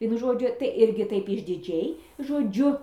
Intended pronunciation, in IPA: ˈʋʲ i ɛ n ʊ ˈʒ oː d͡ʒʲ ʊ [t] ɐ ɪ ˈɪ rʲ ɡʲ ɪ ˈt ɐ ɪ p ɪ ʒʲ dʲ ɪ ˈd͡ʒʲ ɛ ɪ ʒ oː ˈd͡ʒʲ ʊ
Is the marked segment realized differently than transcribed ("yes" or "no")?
no